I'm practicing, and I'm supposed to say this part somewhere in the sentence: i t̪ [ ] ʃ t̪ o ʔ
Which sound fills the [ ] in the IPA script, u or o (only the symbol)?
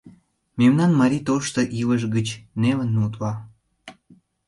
o